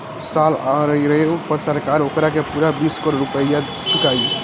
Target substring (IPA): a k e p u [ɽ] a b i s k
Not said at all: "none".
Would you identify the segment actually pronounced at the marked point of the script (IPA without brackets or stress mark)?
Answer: ɾ